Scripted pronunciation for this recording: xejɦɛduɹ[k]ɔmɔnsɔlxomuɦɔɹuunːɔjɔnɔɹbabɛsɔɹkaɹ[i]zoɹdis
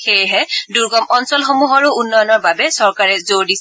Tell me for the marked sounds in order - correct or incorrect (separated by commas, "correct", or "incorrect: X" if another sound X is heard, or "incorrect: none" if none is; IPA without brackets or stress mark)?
incorrect: ɡ, incorrect: ɛ